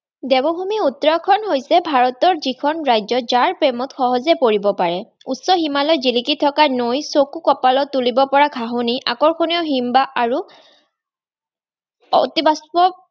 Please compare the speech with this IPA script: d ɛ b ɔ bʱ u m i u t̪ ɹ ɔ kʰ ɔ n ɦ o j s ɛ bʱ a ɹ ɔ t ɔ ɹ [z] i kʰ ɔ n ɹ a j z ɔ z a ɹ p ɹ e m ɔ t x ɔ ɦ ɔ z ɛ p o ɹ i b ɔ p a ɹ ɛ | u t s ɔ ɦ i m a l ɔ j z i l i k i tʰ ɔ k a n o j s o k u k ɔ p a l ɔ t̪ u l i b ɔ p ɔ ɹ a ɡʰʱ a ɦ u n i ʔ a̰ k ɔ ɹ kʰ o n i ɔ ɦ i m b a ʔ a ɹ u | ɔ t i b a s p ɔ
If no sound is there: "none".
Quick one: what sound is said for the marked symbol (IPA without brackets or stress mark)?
z